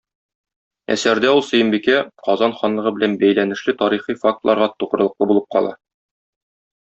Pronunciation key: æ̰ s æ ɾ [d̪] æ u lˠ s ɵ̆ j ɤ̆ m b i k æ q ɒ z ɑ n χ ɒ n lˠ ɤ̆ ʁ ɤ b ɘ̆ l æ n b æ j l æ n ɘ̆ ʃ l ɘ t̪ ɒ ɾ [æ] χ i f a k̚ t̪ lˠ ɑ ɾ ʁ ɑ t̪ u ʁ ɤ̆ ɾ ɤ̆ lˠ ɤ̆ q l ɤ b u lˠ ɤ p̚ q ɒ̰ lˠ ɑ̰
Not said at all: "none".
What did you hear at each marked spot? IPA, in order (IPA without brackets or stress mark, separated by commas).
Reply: d̪, i